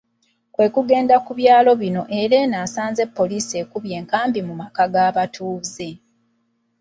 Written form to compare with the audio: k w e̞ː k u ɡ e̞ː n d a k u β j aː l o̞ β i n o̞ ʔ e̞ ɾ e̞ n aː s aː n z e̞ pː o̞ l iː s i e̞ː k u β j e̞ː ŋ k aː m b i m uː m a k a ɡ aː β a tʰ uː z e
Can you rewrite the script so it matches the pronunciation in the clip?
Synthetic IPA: k w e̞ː k u ɡ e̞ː n d a k u β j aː l o̞ β i n o̞ ʔ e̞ ɾ e̞ n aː s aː n z e̞ pː o̞ l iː s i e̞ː k u β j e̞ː ŋ k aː m b i m u m a k a ɡ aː β a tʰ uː z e

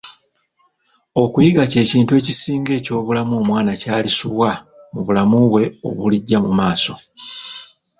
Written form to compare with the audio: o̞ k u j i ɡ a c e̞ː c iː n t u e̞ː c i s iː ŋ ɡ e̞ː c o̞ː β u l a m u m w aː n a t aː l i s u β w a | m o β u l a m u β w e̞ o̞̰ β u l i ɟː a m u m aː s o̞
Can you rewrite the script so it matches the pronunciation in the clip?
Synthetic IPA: o̞ k u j i ɡ a c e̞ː c iː n t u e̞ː c i s iː ŋ ɡ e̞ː c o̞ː β u l a m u m w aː n a c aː l i s u β w a | m u β u l a m u β w e̞ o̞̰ β u l i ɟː a m u m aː s o̞

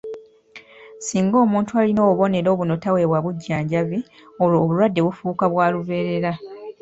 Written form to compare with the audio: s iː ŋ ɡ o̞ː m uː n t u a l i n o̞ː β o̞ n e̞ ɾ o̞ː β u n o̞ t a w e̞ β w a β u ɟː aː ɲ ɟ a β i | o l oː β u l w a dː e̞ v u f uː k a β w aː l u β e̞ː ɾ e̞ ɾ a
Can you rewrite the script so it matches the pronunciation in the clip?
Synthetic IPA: s iː ŋ ɡ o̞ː m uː n t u a l i n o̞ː β o̞ n e̞ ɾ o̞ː β u n o̞ t a w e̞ β w a β u ɟː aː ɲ ɟ a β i | o l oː β u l w a dː e̞ β u f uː k a β w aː l u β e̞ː ɾ e̞ ɾ a

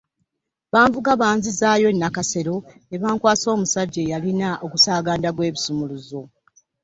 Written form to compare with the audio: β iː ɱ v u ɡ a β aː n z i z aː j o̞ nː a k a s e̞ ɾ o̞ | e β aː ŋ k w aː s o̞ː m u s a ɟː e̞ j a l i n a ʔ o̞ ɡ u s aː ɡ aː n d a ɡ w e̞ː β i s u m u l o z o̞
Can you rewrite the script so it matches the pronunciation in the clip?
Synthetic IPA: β aː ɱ v u ɡ a β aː n z i z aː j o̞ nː a k a s e̞ ɾ o̞ | e β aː ŋ k w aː s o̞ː m u s a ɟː e̞ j a l i n a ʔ o̞ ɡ u s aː ɡ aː n d a ɡ w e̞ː β i s u m u l u z o̞

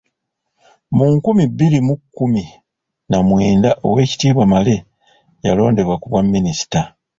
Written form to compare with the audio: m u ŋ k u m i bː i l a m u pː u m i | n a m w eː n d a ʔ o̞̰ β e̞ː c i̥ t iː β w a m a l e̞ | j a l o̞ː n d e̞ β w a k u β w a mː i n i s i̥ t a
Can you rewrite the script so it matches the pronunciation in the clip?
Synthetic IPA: m u ŋ k u m i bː i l i m u kː u m i | n a m w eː n d a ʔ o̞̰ w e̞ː c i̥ t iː β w a m a l e̞ | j a l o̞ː n d e̞ β w a k u β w a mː i n i s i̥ t a

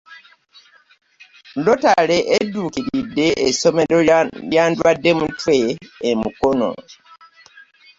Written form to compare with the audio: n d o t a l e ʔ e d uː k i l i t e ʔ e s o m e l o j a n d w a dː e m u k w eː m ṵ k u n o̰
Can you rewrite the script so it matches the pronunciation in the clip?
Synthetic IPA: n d o t a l e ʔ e d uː k i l i d e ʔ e s o m e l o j a n d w a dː e m u t w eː m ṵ k o n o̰

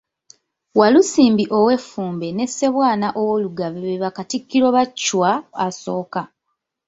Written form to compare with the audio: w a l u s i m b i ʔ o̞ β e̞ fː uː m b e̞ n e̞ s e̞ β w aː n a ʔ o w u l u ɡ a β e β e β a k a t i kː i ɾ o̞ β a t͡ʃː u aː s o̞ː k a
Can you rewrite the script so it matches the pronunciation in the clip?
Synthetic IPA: w a l u s iː m b i ʔ o̞ w e̞ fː uː m b e̞ n e̞ s e̞ β w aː n a ʔ o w o l u ɡ a β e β e β a k a t i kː i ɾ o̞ β a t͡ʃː w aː s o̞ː k a

